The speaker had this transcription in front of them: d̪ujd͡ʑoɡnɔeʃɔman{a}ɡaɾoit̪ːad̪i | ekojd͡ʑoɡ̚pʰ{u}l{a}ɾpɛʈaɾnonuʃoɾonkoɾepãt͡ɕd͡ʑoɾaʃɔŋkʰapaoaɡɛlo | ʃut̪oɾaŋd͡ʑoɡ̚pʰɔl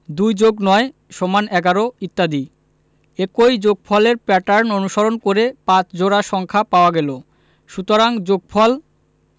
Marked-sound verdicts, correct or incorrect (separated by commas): incorrect, incorrect, incorrect